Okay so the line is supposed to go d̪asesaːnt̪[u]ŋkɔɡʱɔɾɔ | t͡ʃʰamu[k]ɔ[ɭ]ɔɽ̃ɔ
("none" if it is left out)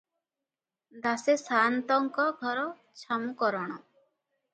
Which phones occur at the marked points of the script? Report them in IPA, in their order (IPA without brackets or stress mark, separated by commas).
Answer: ɔ, k, ɾ